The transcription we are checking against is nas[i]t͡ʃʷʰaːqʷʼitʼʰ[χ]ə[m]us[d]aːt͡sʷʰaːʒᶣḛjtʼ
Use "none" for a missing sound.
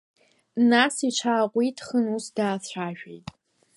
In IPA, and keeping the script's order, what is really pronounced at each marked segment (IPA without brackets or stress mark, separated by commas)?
i, χ, n, d